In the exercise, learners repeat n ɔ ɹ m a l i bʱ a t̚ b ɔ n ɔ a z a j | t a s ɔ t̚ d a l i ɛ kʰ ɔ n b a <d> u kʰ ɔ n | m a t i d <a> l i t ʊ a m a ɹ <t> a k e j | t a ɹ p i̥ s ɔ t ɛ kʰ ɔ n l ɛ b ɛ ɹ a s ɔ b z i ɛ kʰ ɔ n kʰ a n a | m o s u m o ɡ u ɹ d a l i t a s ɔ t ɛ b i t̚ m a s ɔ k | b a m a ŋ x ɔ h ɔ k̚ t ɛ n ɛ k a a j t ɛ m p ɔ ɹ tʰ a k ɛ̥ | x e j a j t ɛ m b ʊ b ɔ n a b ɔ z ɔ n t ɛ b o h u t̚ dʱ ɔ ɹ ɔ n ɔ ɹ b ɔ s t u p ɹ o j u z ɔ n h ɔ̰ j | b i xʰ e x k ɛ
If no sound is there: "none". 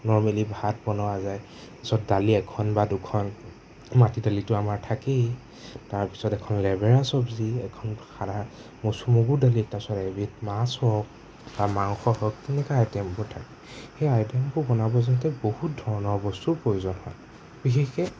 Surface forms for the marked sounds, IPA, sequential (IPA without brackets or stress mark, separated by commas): d, a, tʰ